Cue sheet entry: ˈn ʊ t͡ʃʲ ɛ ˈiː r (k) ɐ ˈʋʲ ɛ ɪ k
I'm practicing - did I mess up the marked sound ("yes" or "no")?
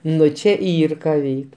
no